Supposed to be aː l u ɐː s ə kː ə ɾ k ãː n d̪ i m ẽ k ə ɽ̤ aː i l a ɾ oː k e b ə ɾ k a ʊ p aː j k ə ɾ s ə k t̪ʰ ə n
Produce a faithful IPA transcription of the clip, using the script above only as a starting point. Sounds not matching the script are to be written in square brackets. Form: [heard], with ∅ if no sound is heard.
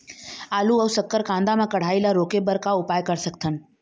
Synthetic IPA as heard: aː l u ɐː s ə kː ə ɾ k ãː n d̪ [a] m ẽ k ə ɽ̤ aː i l a ɾ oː k e b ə ɾ k a ʊ p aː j k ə ɾ s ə k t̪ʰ ə n